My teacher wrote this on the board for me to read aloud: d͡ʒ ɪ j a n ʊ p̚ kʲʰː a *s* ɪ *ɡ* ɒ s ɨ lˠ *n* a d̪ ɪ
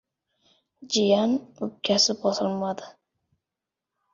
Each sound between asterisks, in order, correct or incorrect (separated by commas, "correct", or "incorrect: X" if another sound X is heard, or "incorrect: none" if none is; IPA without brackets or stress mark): correct, incorrect: b, incorrect: m